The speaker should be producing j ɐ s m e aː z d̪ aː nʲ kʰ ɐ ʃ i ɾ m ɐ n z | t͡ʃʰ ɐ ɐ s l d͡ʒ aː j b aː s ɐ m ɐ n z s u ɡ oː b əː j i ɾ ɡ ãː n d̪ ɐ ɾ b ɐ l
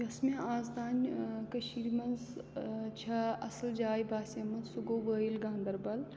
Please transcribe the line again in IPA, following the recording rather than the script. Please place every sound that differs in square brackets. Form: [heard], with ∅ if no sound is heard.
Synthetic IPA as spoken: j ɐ s m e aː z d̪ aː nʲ [k] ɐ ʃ i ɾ m ɐ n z | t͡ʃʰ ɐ ɐ s l d͡ʒ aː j b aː s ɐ m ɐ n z s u ɡ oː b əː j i [l] ɡ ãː n d̪ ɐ ɾ b ɐ l

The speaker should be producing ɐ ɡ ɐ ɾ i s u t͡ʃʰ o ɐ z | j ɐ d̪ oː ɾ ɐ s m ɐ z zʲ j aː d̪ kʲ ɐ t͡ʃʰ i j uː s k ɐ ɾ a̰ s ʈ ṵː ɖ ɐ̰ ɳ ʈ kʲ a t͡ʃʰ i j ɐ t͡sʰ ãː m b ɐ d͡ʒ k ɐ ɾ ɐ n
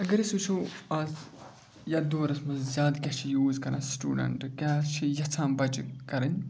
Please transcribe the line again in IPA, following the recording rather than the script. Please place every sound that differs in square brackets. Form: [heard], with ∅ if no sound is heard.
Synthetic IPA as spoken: ɐ ɡ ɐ ɾ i s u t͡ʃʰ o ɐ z | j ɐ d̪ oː ɾ ɐ s m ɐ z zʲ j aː d̪ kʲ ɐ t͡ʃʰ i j uː [z] k ɐ ɾ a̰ s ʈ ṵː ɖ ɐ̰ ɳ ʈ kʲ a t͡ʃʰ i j ɐ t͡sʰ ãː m b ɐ d͡ʒ k ɐ ɾ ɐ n

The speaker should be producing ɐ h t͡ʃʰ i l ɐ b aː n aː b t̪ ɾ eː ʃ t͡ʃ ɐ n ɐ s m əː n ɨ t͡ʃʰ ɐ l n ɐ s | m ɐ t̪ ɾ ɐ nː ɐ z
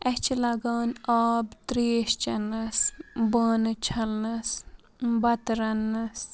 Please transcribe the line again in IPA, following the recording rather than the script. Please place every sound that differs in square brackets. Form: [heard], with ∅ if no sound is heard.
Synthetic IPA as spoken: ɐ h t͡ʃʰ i l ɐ [ɡ] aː n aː b t̪ ɾ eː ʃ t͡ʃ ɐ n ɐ s [b] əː n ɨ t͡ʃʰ ɐ l n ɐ s | [b] ɐ t̪ ɾ ɐ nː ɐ [s]

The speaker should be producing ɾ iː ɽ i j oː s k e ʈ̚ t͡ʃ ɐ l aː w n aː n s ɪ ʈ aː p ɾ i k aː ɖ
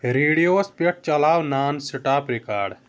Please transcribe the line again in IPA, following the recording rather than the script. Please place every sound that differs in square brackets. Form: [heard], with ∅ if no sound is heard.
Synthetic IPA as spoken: ɾ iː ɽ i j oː s [p] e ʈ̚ t͡ʃ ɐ l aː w n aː n s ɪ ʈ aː p ɾ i k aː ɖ

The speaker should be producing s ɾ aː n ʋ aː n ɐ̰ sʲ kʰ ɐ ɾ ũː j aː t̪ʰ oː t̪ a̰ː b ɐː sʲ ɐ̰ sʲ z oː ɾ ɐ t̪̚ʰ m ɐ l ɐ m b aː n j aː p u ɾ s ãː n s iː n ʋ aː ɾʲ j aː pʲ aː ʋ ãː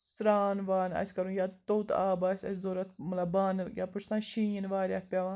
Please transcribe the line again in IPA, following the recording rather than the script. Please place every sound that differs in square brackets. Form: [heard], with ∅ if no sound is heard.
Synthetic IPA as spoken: s ɾ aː n ʋ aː n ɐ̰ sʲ [k] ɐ ɾ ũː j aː [t̪] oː t̪ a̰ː b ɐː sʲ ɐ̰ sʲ z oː ɾ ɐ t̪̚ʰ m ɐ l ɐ [∅] b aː n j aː p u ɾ s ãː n [ʃ] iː n ʋ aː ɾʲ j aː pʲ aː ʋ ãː

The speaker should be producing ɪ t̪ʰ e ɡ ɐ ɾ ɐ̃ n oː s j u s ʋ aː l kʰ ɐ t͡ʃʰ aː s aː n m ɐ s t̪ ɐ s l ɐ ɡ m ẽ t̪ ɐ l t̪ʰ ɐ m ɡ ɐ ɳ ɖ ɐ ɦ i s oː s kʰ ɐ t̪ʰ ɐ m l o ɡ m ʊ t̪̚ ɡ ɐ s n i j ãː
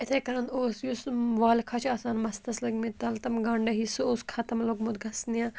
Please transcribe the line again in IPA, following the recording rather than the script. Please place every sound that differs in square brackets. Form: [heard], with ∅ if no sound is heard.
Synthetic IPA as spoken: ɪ t̪ʰ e [k] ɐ ɾ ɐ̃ n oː s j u s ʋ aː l kʰ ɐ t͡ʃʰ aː s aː n m ɐ s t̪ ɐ s l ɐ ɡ m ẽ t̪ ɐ l [t̪] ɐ m ɡ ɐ ɳ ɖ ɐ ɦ i s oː s kʰ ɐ [t̪] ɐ m l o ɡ m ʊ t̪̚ ɡ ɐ s n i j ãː

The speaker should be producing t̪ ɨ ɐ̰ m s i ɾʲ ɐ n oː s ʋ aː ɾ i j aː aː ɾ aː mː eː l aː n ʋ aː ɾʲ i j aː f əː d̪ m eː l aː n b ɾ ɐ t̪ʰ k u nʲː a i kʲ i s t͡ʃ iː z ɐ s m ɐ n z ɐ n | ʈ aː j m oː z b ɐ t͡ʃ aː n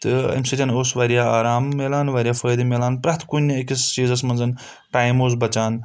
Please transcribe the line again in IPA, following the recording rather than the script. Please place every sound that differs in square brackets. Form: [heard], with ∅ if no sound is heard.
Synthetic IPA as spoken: t̪ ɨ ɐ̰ m s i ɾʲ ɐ n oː s ʋ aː ɾ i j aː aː ɾ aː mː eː l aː n ʋ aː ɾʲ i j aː f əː d̪ m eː l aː n [p] ɾ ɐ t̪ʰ k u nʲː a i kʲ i s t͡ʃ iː z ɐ s m ɐ n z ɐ n | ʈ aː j m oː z b ɐ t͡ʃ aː n

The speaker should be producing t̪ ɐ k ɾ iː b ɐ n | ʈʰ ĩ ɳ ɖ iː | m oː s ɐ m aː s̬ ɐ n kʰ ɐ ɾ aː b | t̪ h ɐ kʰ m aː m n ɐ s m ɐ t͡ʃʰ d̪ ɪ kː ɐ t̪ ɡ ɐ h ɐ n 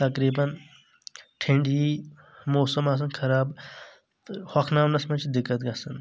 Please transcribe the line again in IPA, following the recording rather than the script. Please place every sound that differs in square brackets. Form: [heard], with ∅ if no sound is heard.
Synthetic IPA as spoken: t̪ ɐ k ɾ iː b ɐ n | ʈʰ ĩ ɳ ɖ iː | m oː s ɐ m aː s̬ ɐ n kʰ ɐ ɾ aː b | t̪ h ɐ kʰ [n] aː m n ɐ s m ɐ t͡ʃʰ d̪ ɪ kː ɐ t̪ ɡ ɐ [s] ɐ n

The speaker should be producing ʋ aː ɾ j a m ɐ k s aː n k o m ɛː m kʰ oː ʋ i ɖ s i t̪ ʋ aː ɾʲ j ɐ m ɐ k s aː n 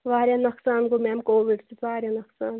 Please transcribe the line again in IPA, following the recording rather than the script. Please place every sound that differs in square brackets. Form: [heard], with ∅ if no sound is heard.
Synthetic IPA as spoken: ʋ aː ɾ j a [n] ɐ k s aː n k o m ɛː m [k] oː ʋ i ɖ s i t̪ ʋ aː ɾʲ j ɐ [n] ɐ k s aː n

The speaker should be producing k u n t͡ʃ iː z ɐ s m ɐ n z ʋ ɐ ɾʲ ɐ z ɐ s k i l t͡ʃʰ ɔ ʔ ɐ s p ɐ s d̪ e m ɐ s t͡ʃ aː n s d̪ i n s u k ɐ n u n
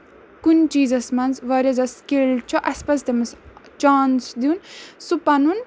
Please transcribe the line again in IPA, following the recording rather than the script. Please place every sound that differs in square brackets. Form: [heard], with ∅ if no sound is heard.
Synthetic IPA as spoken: k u n t͡ʃ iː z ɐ s m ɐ n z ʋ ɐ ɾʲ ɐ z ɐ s k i l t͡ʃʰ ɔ ʔ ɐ s p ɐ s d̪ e m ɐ s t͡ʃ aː n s d̪ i n s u [p] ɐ n u n

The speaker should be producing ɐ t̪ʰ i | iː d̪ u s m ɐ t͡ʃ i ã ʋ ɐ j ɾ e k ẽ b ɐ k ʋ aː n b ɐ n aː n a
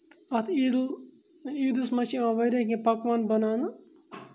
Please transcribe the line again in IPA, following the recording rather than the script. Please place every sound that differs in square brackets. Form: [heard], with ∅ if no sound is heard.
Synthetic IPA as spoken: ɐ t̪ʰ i | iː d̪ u s m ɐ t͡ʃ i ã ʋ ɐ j ɾ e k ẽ [p] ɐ k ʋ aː n b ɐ n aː n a

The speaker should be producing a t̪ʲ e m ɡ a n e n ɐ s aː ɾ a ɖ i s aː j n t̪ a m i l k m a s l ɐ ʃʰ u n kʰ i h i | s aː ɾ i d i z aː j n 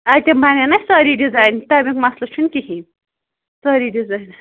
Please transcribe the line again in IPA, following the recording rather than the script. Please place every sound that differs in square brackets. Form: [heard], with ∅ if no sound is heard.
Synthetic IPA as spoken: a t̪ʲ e m [b] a n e n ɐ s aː ɾ [i] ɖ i [z] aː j n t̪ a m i [∅] k m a s l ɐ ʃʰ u n [k] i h i | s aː ɾ i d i z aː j n

